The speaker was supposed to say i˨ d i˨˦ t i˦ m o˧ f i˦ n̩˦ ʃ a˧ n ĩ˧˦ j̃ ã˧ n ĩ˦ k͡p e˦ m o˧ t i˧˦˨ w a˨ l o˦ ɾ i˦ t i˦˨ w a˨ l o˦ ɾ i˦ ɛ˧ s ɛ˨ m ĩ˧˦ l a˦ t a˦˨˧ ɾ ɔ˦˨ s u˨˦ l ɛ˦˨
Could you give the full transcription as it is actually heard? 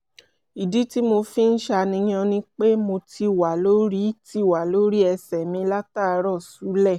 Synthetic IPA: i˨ d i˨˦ t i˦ m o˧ f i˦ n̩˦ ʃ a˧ n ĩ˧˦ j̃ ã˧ n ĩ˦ k͡p e˦ m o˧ t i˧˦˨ w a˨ l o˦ ɾ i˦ t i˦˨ w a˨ l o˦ ɾ i˦ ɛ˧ s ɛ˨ m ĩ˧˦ l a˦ t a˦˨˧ ɾ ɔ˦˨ s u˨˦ l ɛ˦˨